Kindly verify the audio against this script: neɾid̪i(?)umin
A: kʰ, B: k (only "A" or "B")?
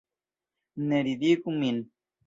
B